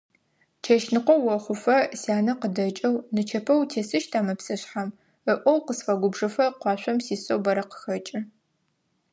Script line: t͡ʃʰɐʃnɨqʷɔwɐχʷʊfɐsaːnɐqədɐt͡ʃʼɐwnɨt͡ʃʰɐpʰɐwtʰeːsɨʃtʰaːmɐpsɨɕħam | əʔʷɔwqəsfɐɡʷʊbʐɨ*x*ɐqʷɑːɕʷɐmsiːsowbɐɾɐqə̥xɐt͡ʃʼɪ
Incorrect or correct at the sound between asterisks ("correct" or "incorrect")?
incorrect